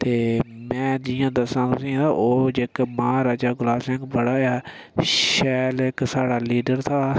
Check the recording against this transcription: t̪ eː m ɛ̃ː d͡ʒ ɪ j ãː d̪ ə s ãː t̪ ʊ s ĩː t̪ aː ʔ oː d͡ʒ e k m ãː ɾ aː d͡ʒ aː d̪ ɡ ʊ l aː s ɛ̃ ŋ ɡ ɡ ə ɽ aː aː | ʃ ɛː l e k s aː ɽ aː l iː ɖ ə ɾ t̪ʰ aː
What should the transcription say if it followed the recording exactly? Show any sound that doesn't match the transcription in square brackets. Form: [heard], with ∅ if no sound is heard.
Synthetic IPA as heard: t̪ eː m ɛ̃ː d͡ʒ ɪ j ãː d̪ ə s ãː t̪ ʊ s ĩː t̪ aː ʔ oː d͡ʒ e k m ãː ɾ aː d͡ʒ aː [∅] ɡ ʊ l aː s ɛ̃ ŋ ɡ [b] ə ɽ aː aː | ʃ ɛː l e k s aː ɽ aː l iː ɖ ə ɾ t̪ʰ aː